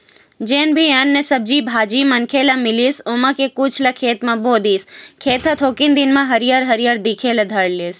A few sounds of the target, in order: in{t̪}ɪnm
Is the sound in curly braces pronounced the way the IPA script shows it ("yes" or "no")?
no